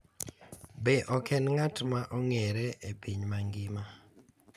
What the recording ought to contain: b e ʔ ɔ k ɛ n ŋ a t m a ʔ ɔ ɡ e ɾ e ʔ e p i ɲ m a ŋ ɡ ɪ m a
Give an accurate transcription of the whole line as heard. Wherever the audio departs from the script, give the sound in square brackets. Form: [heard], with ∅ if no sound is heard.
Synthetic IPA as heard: b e ʔ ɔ k ɛ n ŋ a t m a ʔ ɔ [ŋ] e ɾ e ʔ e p i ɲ m a ŋ ɡ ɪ m a